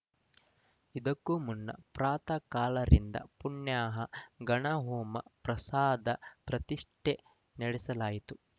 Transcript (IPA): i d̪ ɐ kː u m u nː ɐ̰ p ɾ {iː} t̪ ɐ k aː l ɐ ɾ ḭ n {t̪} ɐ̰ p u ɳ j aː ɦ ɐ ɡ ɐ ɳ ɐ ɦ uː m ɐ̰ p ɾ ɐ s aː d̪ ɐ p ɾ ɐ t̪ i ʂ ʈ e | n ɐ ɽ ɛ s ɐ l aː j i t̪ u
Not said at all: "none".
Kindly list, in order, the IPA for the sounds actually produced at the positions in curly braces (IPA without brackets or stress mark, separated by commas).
aː, d̪